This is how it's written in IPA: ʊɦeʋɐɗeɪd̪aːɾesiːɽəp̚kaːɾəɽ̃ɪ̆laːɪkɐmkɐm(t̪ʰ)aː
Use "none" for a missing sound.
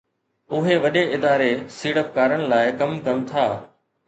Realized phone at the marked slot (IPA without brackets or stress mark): t̪ʰ